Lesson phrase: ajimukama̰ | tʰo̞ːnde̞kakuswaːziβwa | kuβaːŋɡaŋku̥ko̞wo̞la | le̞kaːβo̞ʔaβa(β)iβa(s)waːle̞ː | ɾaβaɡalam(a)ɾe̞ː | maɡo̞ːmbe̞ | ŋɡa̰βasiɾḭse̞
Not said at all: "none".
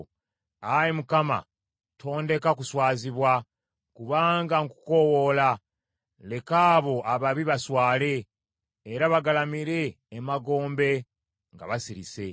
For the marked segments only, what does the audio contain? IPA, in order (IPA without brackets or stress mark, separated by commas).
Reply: β, s, i